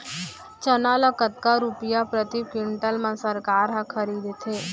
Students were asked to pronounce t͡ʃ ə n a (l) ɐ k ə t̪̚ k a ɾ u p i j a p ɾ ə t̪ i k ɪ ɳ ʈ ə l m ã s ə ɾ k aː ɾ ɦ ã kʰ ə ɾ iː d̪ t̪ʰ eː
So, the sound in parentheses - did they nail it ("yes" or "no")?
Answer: yes